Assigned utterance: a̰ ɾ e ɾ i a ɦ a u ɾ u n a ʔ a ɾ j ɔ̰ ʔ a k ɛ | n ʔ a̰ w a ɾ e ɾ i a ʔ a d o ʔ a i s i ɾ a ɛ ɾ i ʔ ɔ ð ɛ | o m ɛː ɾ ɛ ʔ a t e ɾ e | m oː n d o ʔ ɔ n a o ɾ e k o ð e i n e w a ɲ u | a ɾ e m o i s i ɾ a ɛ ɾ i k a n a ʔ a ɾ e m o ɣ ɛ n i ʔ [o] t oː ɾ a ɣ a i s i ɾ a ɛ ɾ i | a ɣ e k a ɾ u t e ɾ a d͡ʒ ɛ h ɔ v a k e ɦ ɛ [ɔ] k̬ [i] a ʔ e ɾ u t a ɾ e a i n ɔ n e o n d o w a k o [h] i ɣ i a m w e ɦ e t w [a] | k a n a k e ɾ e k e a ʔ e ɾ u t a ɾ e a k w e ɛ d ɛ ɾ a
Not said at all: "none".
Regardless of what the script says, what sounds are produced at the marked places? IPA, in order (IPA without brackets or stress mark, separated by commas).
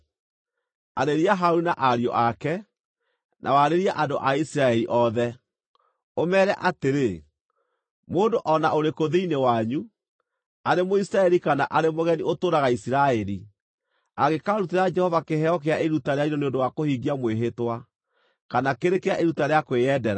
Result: o, ɔ, e, h, a